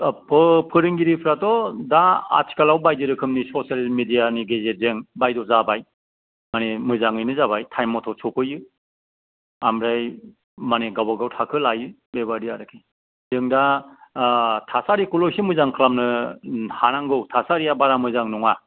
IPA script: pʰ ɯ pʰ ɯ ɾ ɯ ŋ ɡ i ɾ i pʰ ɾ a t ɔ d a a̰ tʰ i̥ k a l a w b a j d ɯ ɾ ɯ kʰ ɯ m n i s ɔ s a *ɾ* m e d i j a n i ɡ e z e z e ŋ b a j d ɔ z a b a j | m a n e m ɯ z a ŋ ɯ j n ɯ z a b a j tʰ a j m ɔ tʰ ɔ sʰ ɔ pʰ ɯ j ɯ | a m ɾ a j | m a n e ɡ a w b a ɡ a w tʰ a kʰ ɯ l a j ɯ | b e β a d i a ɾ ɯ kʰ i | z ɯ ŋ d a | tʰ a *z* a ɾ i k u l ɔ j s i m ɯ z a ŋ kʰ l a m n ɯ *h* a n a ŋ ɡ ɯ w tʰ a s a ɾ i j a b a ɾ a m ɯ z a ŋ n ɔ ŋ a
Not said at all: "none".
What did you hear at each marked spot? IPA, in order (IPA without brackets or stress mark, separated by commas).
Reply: l, s, h